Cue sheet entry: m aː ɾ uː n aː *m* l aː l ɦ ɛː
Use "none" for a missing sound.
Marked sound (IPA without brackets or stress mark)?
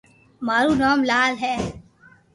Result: m